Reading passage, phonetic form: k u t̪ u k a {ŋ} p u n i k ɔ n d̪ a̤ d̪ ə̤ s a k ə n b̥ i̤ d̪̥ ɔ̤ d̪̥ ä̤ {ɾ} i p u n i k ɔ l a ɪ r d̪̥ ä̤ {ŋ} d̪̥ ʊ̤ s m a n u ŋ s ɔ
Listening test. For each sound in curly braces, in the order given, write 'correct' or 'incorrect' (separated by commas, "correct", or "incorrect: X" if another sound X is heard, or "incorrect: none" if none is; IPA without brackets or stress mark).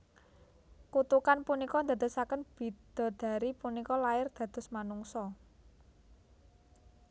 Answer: incorrect: n, correct, incorrect: none